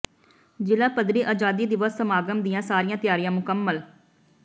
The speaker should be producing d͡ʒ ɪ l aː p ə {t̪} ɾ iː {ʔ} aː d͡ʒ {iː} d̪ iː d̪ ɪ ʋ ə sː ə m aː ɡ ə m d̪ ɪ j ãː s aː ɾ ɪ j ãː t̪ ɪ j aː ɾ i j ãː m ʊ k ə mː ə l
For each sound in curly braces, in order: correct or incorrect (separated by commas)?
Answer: incorrect, correct, incorrect